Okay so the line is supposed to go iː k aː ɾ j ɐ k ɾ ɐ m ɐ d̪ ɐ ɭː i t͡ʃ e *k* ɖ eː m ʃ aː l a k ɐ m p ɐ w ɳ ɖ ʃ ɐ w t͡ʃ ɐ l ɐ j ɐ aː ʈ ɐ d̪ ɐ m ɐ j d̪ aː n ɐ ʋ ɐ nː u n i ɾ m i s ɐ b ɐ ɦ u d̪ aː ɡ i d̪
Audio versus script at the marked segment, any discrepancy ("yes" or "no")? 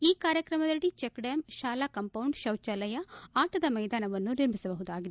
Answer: no